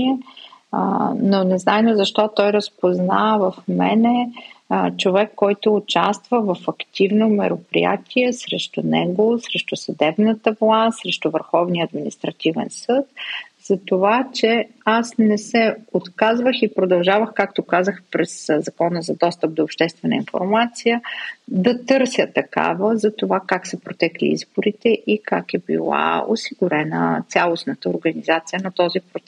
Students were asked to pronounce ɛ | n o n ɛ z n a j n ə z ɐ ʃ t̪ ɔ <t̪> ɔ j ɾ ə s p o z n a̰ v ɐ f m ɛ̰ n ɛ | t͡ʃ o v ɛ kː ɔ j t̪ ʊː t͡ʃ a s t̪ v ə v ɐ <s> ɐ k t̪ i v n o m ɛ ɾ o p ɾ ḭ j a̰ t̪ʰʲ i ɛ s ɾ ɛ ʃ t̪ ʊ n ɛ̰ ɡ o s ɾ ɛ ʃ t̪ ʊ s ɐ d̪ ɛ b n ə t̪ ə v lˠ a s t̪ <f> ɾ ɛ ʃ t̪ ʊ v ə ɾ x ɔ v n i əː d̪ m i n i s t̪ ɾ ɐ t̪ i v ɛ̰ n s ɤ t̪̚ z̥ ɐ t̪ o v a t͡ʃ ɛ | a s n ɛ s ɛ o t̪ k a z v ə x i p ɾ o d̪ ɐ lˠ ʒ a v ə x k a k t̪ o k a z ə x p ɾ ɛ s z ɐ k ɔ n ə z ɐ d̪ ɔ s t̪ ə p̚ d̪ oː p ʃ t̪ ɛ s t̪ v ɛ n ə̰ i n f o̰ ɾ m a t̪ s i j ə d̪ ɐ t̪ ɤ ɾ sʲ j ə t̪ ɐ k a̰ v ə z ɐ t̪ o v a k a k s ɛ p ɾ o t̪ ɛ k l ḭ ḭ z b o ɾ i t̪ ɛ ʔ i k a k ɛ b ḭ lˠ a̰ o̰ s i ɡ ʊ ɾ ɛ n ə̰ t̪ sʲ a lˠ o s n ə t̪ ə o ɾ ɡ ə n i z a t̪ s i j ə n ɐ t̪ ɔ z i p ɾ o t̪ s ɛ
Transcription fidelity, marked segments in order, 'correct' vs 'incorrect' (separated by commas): correct, incorrect, incorrect